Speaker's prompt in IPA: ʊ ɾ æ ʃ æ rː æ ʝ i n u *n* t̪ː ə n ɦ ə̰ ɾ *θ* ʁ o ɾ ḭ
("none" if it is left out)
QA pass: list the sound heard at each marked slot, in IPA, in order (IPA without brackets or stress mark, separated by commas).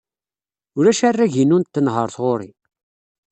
n, θ